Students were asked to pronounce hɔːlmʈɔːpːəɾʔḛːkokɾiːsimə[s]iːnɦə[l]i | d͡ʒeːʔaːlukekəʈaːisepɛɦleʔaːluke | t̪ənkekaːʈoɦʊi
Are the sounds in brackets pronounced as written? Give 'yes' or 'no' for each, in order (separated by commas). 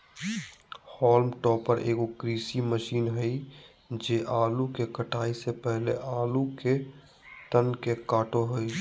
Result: no, no